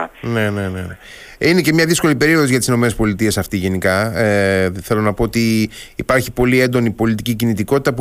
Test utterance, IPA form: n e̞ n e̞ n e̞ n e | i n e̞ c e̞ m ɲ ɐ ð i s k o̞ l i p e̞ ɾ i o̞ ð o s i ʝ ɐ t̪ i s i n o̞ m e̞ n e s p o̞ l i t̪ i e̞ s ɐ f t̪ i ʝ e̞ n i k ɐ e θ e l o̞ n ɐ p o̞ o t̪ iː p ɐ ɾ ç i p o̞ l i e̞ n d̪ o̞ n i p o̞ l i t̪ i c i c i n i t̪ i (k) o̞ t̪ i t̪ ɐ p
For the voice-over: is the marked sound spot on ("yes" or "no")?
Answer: yes